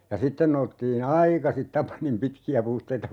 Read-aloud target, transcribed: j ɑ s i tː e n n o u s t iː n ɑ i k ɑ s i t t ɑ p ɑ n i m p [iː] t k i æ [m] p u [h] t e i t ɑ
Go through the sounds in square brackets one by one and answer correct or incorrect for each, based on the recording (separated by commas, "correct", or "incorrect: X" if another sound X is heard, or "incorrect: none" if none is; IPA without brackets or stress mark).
incorrect: i, incorrect: none, correct